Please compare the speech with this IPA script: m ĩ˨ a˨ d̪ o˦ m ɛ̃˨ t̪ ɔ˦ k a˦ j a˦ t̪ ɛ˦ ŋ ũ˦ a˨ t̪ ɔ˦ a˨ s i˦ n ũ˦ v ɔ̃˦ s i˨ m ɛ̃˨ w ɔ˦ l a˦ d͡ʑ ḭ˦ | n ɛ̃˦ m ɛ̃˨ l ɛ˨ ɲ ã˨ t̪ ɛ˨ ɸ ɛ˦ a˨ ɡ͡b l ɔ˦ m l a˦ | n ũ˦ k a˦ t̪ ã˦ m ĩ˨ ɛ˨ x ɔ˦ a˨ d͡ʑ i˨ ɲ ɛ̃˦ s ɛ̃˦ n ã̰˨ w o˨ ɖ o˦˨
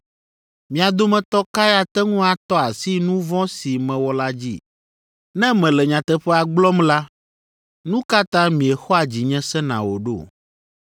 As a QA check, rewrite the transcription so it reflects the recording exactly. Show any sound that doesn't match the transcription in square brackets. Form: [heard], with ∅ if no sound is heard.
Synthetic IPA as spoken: m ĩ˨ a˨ d̪ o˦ m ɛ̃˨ t̪ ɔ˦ k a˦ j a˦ t̪ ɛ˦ ŋ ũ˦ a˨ t̪ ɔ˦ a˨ s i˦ n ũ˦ v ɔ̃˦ s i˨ m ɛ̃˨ w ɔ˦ l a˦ d͡ʑ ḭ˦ | n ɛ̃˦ m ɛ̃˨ l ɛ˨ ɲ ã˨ t̪ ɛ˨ ɸ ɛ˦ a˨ ɡ͡b l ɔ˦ m l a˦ | n ũ˦ k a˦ t̪ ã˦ m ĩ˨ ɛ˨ x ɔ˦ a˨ d͡ʑ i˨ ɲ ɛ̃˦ s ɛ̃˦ n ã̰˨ w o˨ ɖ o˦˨